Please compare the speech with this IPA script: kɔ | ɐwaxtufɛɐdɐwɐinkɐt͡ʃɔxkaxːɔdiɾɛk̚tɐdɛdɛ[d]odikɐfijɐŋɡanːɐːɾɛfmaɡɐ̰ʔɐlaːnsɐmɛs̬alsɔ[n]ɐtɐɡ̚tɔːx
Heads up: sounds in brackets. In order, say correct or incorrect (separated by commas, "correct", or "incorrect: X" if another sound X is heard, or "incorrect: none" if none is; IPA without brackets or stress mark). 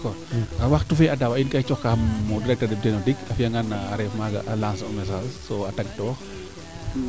incorrect: n, incorrect: none